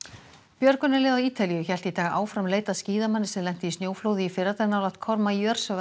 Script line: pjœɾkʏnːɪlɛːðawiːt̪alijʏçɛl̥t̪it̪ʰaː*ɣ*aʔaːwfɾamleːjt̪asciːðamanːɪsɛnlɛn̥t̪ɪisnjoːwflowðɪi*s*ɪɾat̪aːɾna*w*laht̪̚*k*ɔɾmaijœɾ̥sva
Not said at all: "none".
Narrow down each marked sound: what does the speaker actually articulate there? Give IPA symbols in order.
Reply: ɣ, f, w, kʰ

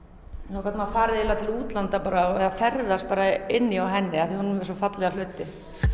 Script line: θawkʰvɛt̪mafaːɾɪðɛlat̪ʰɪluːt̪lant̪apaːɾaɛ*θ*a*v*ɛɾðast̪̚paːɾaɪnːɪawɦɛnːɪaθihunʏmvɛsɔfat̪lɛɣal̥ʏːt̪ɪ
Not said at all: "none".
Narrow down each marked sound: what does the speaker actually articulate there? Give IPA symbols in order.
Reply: ð, f

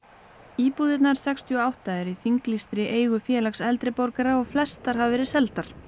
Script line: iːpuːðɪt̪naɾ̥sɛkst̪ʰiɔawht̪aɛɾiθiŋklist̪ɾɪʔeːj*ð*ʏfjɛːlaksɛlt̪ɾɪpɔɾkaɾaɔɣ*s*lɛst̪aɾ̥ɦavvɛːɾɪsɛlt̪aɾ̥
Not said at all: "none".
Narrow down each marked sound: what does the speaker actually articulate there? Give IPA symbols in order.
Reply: ɣ, f

